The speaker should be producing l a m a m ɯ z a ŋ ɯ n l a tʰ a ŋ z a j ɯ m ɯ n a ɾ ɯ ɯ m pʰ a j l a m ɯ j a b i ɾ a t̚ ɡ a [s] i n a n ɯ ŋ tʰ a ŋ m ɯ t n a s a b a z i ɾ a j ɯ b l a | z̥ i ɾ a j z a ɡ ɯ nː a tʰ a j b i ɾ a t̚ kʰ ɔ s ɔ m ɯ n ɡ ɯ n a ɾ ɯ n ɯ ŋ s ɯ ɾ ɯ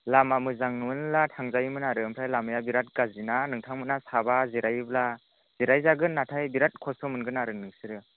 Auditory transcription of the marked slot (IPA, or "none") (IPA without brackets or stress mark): z